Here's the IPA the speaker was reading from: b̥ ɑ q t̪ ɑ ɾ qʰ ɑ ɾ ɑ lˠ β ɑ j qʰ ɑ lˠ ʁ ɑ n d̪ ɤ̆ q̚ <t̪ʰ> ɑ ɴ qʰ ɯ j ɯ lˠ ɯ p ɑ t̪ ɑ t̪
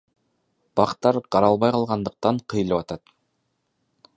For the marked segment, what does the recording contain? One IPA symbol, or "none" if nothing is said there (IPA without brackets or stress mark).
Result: t̪